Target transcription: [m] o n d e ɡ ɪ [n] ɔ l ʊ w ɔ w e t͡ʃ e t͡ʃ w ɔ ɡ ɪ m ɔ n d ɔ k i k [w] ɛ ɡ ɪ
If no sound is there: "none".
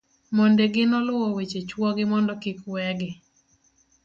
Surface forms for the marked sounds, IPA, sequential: m, n, w

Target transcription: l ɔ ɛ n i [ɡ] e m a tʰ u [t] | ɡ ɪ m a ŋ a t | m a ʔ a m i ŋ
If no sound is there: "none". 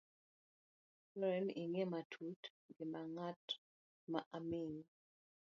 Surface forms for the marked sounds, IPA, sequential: ŋ, t

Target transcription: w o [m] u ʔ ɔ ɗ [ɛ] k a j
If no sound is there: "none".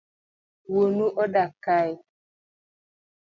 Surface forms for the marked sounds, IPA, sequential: n, a

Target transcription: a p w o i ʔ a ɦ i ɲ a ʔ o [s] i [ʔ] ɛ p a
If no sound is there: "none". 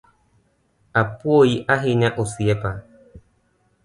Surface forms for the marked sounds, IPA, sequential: s, none

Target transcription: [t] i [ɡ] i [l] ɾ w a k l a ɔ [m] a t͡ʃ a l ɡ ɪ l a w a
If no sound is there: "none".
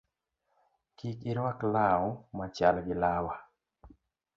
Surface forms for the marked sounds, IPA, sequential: k, k, none, m

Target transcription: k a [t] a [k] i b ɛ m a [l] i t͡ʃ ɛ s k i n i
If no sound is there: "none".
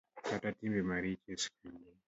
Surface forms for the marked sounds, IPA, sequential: t, t, ɾ

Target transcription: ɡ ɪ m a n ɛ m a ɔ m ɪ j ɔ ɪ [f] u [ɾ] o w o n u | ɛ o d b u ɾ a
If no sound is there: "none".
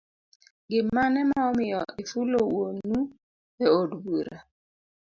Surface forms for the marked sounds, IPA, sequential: f, l

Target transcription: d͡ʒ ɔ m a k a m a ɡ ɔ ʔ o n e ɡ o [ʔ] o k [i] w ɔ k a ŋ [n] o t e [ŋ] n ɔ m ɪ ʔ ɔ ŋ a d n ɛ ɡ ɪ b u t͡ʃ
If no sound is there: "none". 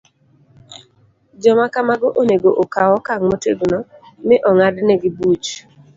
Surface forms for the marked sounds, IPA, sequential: ʔ, a, m, ɡ

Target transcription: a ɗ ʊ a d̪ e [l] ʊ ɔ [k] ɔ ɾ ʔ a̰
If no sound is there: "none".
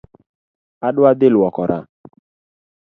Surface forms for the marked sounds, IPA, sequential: l, k

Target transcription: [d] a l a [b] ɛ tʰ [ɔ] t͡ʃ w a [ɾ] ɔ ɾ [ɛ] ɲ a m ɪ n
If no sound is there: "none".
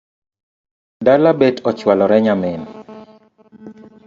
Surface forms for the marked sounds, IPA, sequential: d, b, ɔ, l, ɛ

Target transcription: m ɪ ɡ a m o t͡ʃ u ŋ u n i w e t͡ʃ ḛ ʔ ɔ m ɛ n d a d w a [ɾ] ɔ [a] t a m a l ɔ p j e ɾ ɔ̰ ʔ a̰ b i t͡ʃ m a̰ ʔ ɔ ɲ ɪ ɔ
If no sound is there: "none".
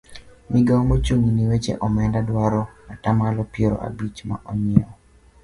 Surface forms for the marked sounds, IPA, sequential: ɾ, a

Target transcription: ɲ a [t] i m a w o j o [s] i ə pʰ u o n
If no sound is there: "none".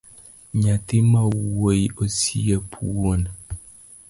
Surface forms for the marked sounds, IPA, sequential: t, s

